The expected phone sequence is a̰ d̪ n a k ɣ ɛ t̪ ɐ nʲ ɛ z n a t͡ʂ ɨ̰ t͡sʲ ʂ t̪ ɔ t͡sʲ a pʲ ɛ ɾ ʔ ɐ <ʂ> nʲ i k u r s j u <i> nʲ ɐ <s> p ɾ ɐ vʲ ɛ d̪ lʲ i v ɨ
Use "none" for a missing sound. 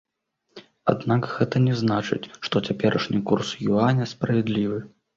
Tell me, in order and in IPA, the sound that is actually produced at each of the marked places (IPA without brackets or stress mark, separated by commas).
ʂ, a, s